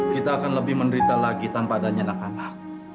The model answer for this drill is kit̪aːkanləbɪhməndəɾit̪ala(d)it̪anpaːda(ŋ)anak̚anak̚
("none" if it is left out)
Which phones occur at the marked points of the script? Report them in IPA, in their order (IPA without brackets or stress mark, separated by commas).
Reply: ɡ, ɲ